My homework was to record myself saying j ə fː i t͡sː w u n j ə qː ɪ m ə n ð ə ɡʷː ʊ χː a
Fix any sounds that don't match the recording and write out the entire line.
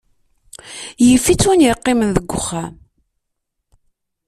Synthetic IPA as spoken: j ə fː i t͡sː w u n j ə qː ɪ m ə n ð ə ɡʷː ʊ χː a